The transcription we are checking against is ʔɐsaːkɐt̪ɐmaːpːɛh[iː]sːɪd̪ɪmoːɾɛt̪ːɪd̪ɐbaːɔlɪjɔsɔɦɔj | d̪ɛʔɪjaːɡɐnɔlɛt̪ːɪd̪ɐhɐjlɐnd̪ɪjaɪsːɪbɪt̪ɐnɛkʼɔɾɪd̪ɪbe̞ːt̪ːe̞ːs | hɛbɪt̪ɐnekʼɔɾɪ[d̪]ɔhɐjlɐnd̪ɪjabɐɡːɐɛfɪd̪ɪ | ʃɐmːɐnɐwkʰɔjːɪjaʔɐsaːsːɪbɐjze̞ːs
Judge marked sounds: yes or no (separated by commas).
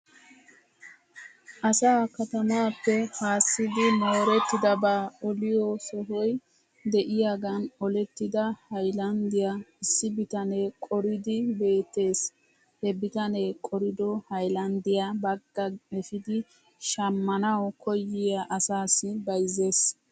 no, yes